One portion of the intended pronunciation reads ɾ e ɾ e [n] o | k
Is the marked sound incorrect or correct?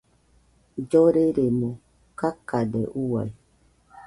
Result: incorrect